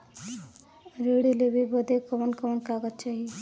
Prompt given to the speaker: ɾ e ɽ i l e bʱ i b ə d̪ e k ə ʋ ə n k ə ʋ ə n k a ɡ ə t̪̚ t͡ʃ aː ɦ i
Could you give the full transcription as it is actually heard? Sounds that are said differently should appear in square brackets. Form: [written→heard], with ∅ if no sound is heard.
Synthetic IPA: ɾ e ɽ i l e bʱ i b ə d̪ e k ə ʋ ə n k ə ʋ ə n k a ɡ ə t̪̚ t͡ʃ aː ɦ i